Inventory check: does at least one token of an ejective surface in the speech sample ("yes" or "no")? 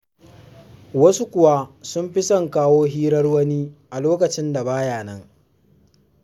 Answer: no